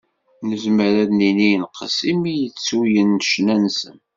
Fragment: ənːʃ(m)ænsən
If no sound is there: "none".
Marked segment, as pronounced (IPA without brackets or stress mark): n